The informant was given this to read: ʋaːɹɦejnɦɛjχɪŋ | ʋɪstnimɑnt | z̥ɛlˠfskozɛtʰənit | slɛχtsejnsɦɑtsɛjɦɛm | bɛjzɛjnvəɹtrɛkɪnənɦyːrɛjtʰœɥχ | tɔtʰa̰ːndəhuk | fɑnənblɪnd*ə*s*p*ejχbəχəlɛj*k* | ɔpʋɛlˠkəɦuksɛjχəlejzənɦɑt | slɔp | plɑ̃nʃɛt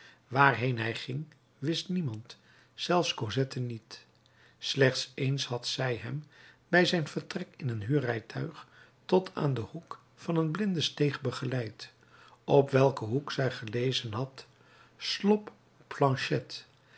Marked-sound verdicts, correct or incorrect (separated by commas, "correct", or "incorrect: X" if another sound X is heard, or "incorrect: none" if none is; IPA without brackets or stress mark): correct, incorrect: t, incorrect: t